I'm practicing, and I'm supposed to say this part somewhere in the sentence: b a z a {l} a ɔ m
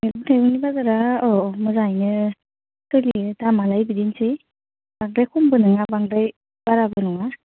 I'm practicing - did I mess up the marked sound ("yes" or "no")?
yes